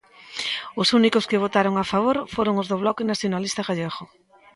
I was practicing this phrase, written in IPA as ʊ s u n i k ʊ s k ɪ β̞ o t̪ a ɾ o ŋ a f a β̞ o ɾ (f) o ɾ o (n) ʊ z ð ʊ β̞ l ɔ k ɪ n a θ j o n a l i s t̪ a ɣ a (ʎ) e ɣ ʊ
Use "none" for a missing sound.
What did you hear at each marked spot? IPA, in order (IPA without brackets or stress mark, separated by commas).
f, ŋ, ʎ